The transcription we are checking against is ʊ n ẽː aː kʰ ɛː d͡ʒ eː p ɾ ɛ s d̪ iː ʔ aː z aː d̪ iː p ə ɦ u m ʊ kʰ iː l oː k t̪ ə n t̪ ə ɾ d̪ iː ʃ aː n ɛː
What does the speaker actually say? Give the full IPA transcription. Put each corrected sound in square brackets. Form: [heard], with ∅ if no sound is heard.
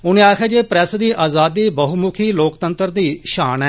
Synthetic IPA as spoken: ʊ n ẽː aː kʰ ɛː d͡ʒ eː p ɾ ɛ s d̪ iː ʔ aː z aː d̪ iː [b] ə ɦ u m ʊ kʰ iː l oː k t̪ ə n t̪ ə ɾ d̪ iː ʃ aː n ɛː